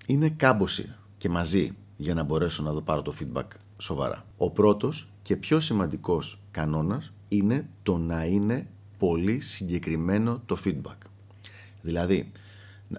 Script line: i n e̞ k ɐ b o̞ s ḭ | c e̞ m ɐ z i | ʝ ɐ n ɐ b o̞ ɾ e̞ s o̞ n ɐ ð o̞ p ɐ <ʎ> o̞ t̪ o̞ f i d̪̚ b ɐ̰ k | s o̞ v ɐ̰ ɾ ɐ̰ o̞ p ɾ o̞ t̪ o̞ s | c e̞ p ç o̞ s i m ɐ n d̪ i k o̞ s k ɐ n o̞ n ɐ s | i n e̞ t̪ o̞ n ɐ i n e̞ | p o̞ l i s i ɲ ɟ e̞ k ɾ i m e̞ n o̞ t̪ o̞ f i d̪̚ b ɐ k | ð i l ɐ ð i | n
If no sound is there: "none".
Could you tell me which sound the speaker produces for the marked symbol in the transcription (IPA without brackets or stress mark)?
ɾ